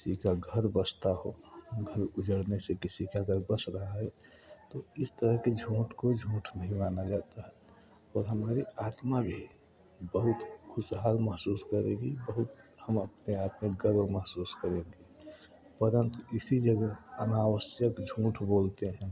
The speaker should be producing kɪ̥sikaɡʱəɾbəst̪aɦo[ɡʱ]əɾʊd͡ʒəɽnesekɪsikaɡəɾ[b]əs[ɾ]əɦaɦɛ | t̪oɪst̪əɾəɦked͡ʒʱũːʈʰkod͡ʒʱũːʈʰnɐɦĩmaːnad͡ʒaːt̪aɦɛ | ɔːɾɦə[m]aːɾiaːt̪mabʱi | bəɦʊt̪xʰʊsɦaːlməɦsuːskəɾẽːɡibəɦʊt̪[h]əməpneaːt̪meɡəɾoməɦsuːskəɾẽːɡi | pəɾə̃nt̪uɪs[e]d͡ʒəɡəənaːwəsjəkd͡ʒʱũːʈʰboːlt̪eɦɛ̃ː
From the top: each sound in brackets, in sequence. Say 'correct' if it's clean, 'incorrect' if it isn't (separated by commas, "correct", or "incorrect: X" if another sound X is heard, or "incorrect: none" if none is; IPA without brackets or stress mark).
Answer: correct, correct, correct, correct, correct, incorrect: i